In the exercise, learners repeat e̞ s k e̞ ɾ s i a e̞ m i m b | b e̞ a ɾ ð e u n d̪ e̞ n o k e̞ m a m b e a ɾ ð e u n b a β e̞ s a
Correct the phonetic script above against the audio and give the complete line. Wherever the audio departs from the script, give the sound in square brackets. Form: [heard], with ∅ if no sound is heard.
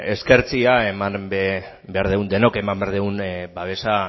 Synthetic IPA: e̞ s k e̞ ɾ [t͡s] i a e̞ m [a] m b | b e̞ a ɾ ð e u n d̪ e̞ n o k e̞ m a m b e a ɾ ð e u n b a β e̞ s a